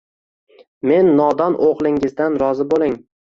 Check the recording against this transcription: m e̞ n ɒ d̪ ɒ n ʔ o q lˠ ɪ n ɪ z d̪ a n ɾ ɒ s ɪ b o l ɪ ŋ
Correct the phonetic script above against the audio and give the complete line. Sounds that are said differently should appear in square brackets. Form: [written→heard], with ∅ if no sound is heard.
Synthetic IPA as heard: m e̞ [n→nː] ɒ d̪ ɒ n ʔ o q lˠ ɪ [n→ŋ] ɪ z d̪ a n ɾ ɒ [s→z] ɪ b o l ɪ ŋ